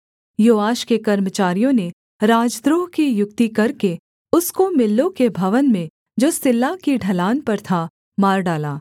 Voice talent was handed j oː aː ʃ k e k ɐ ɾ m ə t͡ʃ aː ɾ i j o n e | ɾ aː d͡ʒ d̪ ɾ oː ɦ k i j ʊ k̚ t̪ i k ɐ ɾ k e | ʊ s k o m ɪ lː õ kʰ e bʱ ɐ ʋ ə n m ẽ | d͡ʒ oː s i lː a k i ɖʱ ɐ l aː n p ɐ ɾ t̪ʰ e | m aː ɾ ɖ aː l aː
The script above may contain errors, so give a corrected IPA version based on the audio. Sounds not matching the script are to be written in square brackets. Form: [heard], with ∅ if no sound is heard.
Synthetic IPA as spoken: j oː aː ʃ k e k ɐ ɾ m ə t͡ʃ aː ɾ i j [õ] n e | ɾ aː d͡ʒ d̪ ɾ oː ɦ k i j ʊ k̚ t̪ i k ɐ ɾ k e | ʊ s k o m ɪ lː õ [k] e bʱ ɐ ʋ ə n m ẽ | d͡ʒ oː s [ɪ] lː a k i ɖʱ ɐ l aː n p ɐ ɾ t̪ʰ [a] | m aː ɾ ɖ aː l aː